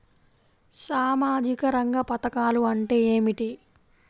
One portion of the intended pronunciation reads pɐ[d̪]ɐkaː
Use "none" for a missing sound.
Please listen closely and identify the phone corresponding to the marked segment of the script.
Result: t̪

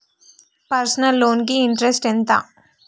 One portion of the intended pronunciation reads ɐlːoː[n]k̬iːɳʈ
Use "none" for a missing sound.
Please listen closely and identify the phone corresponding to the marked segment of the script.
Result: n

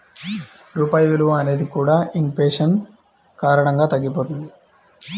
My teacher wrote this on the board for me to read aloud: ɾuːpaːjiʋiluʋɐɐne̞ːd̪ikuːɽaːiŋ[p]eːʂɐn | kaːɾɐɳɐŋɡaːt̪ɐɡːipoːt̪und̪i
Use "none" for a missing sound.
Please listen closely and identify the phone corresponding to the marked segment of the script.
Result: p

